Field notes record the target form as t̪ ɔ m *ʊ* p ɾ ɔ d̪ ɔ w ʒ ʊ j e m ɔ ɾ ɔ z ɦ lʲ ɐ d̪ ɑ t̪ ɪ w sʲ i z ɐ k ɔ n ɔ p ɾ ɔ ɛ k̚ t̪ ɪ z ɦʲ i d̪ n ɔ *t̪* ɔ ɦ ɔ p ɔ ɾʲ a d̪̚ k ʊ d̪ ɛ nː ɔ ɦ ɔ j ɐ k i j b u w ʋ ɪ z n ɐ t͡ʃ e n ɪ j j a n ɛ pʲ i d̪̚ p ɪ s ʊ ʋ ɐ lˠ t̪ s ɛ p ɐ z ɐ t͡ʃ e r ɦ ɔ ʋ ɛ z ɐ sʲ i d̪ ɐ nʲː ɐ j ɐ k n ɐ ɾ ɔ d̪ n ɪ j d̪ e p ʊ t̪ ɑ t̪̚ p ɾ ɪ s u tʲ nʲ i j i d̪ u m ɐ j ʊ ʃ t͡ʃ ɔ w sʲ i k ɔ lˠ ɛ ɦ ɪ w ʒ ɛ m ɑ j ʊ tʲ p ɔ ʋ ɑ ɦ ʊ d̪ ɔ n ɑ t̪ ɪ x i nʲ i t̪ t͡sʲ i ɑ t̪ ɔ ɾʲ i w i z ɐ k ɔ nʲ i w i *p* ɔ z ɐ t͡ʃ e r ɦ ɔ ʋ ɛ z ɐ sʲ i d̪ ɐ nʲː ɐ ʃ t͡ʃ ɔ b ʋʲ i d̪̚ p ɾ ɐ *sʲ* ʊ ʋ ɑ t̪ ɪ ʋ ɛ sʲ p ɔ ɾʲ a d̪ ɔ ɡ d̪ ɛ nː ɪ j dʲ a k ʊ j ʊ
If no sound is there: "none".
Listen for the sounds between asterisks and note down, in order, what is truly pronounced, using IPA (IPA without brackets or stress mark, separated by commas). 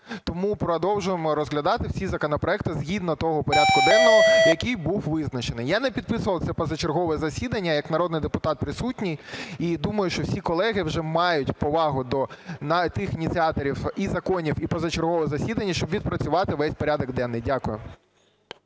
u, t̪, p, t͡sʲ